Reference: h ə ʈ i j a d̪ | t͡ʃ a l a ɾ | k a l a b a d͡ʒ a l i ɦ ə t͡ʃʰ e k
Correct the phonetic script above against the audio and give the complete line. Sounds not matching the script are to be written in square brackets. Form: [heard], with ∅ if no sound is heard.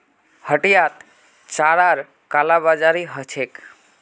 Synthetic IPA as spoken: h ə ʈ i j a [t̪] | t͡ʃ a [ɾ] a ɾ | k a l a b a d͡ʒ a [ɾ] i ɦ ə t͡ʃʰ e k